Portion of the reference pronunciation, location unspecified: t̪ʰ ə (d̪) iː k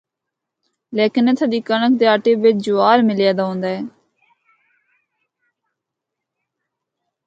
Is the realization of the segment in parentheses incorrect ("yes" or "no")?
no